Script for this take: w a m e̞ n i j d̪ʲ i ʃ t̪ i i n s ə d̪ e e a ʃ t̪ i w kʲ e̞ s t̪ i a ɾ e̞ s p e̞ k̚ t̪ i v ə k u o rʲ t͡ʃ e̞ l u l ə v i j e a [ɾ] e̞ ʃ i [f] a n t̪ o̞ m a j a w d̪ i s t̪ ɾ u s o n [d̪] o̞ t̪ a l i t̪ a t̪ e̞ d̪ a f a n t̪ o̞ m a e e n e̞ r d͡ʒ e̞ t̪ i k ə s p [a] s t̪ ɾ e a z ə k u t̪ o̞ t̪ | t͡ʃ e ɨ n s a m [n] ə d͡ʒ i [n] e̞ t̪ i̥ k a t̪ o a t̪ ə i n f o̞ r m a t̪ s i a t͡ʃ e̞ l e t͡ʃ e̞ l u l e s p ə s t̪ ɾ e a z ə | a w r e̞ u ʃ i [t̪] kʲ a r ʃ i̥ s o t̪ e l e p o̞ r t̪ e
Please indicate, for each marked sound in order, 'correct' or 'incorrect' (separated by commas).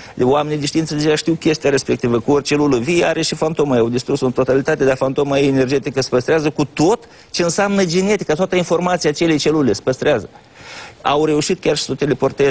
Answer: correct, correct, incorrect, incorrect, correct, correct, correct